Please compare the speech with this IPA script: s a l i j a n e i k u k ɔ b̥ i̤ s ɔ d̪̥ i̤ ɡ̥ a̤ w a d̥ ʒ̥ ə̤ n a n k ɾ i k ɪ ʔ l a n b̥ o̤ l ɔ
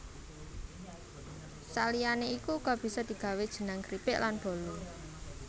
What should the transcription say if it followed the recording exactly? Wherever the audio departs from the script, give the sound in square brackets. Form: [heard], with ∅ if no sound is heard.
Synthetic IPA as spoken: s a l i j a n e i k u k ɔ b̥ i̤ s ɔ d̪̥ i̤ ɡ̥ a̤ w [e] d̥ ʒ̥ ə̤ n a [ŋ] k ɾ i [p] ɪ ʔ l a n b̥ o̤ l [u]